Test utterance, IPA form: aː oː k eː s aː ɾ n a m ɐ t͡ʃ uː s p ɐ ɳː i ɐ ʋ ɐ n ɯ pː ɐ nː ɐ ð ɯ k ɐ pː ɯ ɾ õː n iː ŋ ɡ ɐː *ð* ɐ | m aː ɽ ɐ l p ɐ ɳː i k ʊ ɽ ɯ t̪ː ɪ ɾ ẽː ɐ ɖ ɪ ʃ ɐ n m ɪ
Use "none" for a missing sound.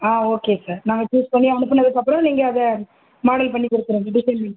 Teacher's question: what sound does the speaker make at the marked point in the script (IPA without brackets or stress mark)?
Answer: ð